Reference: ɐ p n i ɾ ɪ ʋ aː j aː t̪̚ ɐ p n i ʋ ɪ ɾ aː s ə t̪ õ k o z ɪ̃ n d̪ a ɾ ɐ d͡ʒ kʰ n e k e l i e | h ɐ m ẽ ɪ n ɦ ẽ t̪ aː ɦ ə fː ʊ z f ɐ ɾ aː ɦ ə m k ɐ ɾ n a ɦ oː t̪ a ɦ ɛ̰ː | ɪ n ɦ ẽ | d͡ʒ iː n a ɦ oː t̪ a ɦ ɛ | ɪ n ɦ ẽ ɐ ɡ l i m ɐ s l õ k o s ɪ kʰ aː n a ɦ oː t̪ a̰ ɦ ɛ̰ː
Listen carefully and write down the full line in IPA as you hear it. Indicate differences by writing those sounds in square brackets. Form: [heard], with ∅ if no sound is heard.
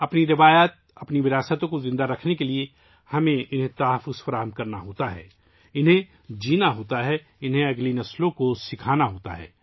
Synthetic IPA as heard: ɐ p n i ɾ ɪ ʋ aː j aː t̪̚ ɐ p n i ʋ ɪ ɾ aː s ə t̪ õ k o z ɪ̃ n d̪ a ɾ ɐ [∅] kʰ n e k e l i e | h ɐ m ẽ ɪ n ɦ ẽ t̪ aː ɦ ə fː ʊ z f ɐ ɾ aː ɦ ə m k ɐ ɾ n a ɦ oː t̪ a ɦ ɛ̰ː | ɪ n ɦ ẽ | d͡ʒ iː n a ɦ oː t̪ a ɦ ɛ | ɪ n ɦ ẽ ɐ ɡ l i [n] ɐ s l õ k o s ɪ kʰ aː n a ɦ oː t̪ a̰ ɦ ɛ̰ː

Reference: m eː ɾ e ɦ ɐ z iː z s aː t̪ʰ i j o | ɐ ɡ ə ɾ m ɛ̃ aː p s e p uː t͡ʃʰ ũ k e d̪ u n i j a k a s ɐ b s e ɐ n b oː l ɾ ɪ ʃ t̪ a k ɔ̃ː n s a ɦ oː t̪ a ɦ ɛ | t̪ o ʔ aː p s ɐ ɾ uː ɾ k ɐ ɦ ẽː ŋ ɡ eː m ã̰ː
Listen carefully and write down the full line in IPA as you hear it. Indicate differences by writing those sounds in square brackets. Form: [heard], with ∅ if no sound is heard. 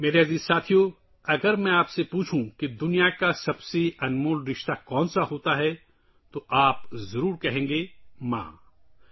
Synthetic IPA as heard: m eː ɾ e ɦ ɐ z iː z s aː t̪ʰ i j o | ɐ ɡ ə ɾ m ɛ̃ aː p s e p uː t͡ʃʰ ũ k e d̪ [ʊ] n i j a k a s ɐ b s e ɐ n [m] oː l ɾ ɪ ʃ t̪ a k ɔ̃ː n s a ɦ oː t̪ a ɦ ɛ | t̪ o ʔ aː p [z] ɐ ɾ uː ɾ k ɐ ɦ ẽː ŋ ɡ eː m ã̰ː

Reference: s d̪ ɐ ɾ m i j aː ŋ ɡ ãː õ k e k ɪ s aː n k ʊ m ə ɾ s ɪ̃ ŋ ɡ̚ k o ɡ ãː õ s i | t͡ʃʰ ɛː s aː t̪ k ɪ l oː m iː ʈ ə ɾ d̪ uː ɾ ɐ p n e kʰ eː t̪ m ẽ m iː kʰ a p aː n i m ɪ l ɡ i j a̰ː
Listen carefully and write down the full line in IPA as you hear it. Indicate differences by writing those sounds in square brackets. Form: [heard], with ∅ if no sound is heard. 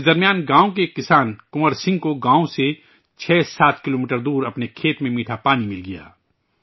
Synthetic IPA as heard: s d̪ ɐ ɾ m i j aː [n] ɡ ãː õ k e k ɪ s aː n k ʊ m ə ɾ s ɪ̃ ŋ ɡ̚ k o ɡ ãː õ s [e] | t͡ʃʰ ɛː s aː t̪ k ɪ l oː m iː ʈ ə ɾ d̪ uː ɾ ɐ p n e kʰ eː t̪ m ẽ m iː [ʈʰ] a p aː n i m ɪ l ɡ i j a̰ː

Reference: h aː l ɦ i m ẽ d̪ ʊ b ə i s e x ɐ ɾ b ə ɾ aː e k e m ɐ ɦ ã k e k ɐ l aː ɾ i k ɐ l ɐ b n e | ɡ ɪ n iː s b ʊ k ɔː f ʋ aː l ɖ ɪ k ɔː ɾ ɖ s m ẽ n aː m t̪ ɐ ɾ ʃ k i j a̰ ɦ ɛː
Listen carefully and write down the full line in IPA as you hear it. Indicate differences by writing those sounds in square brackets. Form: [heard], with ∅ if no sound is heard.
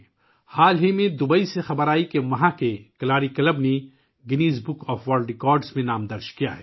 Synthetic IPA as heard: h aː l ɦ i m ẽ d̪ ʊ b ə i s e x ɐ [∅] b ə ɾ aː [i] k e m ɐ ɦ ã k e k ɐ l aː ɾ i k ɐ l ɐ b n e | ɡ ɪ n iː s b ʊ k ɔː f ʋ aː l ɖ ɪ k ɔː ɾ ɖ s m ẽ n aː m [d̪] ɐ ɾ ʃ k i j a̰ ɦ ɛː

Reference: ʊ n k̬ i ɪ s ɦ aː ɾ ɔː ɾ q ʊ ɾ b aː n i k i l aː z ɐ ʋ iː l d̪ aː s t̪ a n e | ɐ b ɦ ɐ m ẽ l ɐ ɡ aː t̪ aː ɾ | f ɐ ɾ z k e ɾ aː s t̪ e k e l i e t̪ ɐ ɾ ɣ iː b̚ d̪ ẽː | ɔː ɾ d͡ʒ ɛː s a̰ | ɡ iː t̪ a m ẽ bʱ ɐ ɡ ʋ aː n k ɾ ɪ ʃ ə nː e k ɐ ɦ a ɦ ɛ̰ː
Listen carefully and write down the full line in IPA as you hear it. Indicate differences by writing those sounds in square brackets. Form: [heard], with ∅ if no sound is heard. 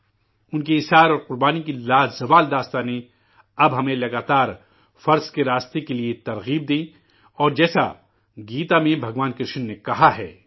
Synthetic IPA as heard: ʊ n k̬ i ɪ s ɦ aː ɾ ɔː ɾ q ʊ ɾ b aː n i k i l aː z ɐ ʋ [aː] l d̪ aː s t̪ a n e | ɐ b ɦ ɐ m ẽ l ɐ ɡ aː t̪ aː ɾ | f ɐ ɾ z k e ɾ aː s t̪ e k e l i e t̪ ɐ ɾ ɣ iː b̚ d̪ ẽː | ɔː ɾ d͡ʒ ɛː s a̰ | ɡ iː t̪ a m ẽ bʱ ɐ ɡ ʋ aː n k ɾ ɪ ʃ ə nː e k ɐ ɦ a ɦ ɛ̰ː

